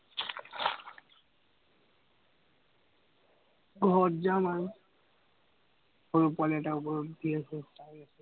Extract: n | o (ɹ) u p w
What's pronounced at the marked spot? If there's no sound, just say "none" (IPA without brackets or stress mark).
ɹ